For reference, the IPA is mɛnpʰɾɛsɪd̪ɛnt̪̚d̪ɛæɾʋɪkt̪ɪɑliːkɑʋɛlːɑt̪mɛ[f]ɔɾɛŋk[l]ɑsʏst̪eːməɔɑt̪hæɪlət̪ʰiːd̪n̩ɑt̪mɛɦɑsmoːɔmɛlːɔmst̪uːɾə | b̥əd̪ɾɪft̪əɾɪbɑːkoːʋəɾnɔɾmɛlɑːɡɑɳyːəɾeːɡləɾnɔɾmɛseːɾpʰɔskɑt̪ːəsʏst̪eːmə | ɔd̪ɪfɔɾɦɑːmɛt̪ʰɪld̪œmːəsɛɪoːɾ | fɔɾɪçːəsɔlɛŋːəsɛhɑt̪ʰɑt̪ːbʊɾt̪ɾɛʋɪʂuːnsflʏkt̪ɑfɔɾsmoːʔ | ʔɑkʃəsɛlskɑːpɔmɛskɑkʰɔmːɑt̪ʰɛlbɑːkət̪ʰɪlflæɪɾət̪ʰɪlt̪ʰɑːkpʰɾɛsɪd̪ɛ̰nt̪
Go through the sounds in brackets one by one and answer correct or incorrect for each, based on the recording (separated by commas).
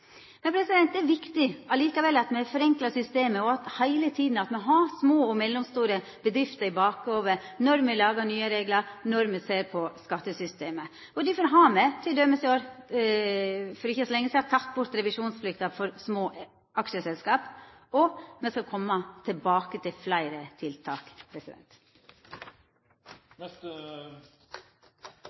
correct, correct